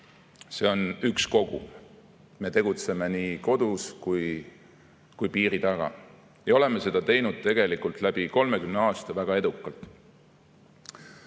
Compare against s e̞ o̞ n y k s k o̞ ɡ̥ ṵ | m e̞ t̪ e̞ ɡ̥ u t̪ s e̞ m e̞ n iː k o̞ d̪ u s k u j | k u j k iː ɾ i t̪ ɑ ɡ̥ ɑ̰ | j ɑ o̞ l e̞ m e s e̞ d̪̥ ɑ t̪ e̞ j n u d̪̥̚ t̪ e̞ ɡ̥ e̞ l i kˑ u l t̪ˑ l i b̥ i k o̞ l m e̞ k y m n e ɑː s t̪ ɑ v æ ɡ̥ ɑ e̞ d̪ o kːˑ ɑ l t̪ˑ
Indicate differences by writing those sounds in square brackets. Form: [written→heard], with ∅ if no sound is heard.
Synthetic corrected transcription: s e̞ o̞ n y k s k o̞ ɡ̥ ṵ | m e̞ t̪ e̞ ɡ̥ u t̪ s e̞ m e̞ n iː k o̞ d̪ u s k u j | k u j [k→p] iː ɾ i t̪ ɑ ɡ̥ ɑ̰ | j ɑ o̞ l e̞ m e s e̞ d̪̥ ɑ t̪ e̞ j n u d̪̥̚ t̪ e̞ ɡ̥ e̞ l i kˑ u l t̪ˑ l [i→æ] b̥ i k o̞ l m e̞ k y m n e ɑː s t̪ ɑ v æ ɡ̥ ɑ e̞ d̪ [o→u] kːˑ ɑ l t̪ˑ